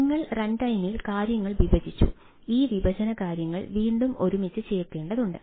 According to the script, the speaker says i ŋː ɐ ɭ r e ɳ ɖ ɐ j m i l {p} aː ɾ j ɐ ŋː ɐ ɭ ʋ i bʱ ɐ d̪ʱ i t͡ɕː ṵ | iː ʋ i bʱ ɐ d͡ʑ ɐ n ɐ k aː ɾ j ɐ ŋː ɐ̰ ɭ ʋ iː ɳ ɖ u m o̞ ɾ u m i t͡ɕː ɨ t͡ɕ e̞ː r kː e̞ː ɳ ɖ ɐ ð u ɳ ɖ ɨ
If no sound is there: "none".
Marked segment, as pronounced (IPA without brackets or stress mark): k